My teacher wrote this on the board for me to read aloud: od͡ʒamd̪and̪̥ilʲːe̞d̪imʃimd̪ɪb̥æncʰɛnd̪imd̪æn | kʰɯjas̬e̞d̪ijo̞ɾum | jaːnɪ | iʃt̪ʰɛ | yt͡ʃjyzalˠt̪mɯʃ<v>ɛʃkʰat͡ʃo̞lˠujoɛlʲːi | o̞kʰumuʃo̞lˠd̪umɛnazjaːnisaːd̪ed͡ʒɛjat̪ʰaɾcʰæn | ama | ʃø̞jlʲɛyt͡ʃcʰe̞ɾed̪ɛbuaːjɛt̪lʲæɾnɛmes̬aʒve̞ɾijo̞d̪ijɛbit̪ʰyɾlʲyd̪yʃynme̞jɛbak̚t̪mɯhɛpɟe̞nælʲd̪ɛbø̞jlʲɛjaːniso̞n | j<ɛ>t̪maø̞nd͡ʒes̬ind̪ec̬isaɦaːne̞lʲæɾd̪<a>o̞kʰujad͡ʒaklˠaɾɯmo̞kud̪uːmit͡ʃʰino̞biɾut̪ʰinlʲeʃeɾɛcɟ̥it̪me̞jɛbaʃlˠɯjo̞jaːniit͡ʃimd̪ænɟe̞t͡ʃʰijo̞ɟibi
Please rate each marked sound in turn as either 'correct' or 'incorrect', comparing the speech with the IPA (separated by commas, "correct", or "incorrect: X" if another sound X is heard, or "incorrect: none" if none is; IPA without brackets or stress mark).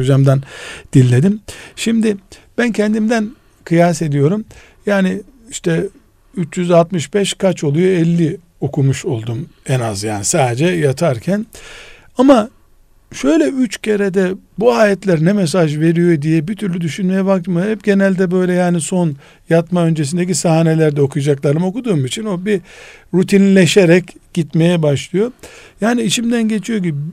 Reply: incorrect: b, incorrect: a, incorrect: ɛ